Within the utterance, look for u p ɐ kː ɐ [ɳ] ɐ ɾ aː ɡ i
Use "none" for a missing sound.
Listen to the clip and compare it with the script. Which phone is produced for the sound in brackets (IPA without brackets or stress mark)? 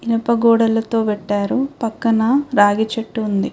n